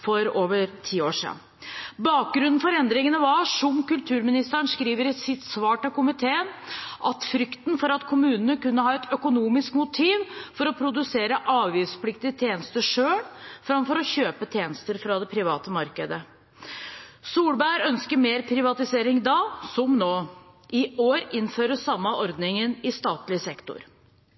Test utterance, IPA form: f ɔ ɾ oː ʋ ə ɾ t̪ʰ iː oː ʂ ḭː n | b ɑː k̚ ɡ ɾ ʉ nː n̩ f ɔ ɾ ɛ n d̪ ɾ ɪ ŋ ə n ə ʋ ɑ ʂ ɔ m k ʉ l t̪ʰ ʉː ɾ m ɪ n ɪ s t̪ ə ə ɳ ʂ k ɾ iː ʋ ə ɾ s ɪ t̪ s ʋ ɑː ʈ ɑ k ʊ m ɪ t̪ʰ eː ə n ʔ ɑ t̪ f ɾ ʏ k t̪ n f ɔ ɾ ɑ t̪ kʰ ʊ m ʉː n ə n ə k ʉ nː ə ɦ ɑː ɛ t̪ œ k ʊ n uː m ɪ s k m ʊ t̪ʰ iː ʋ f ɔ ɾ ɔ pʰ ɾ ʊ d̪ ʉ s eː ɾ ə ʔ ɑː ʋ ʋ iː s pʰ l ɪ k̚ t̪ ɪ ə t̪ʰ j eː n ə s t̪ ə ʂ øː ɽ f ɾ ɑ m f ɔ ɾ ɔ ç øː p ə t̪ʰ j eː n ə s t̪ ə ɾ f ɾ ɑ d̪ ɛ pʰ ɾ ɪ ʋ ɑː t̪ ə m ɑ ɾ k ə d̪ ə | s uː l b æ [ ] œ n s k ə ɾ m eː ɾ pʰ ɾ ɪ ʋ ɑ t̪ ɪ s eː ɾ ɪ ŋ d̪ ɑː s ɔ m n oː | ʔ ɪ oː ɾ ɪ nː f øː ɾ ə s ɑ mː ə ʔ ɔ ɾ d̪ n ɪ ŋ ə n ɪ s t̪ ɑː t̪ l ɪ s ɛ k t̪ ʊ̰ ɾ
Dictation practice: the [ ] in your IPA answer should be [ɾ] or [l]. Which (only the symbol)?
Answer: ɾ